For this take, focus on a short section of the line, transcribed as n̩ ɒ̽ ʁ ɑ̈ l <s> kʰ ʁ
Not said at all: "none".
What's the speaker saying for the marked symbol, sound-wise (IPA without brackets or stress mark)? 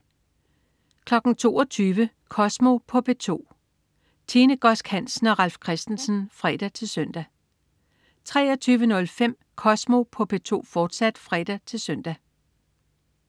f